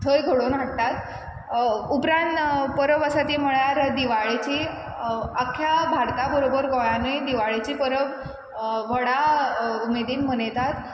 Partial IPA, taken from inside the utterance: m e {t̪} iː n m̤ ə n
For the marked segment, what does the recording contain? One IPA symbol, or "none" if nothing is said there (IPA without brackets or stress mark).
d̪